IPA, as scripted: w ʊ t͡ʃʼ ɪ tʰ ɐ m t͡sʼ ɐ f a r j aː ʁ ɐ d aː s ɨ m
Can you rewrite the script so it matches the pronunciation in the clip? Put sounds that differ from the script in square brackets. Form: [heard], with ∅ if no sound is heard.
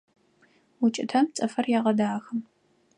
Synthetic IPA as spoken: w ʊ t͡ʃʼ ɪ tʰ ɐ m t͡sʼ ɐ f [ɐ] r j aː ʁ ɐ d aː [x] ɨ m